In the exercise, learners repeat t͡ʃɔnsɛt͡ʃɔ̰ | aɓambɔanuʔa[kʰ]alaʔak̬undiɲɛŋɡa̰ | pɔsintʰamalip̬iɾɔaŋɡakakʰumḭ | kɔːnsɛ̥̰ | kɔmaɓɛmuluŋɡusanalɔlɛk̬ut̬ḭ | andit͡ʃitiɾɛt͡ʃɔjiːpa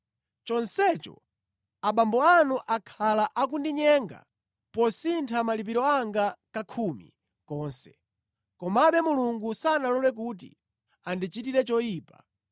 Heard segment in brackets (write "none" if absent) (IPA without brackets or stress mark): kʰ